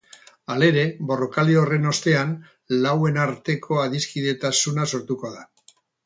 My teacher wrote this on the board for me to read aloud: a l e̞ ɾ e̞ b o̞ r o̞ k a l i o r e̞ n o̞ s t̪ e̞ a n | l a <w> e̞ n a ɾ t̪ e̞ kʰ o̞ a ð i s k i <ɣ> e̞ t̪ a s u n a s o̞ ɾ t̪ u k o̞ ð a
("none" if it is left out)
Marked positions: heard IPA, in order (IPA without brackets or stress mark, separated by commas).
w, ð